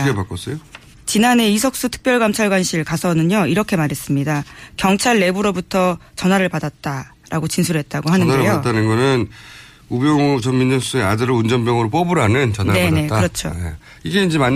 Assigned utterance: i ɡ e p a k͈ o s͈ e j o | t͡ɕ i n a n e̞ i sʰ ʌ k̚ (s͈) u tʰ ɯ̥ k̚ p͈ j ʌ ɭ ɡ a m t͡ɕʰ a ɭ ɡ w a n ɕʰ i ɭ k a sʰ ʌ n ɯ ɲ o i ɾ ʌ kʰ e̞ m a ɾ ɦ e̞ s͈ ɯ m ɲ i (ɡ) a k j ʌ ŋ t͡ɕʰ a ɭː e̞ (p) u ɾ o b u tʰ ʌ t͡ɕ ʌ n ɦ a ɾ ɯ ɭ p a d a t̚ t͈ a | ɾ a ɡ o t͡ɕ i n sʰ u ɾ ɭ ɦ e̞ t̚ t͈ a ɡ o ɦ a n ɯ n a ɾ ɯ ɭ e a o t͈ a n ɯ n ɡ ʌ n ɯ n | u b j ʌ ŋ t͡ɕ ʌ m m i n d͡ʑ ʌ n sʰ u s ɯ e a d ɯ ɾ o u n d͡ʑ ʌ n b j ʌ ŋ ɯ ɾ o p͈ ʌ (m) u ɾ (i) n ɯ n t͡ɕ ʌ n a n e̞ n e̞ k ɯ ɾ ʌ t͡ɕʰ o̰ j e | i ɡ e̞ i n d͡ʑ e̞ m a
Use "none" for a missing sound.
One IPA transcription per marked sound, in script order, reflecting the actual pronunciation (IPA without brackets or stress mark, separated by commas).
s͈, d, b, b, a